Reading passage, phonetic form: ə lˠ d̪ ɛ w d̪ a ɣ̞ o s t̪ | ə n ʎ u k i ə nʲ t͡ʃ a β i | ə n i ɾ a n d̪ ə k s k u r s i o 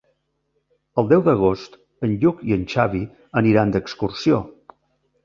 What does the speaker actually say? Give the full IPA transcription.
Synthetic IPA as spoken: ə lˠ d̪ ɛ w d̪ ə ɣ̞ o s t̪ | ə n ʎ u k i ə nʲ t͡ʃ a β i | ə n i ɾ a n d̪ ə k s k u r s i o